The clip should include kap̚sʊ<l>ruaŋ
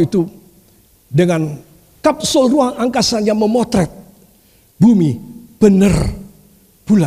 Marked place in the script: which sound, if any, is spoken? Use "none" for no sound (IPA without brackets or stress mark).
l